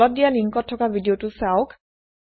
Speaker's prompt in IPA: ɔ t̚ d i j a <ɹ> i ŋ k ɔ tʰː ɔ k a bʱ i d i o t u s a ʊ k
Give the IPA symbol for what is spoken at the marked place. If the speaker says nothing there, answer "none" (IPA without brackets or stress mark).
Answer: l